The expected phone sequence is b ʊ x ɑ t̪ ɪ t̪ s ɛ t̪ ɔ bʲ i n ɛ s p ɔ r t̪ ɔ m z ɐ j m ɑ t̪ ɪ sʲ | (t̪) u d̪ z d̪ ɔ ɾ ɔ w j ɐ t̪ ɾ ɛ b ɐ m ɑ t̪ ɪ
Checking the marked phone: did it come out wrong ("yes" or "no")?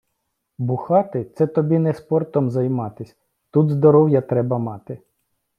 no